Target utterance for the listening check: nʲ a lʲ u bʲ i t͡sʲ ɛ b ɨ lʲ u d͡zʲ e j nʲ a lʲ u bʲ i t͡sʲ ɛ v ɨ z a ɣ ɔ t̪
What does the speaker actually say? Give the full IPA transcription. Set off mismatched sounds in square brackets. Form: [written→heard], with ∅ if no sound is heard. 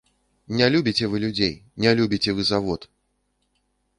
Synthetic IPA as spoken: nʲ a lʲ u bʲ i t͡sʲ ɛ [b→v] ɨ lʲ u d͡zʲ e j nʲ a lʲ u bʲ i t͡sʲ ɛ v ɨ z a [ɣ→v] ɔ t̪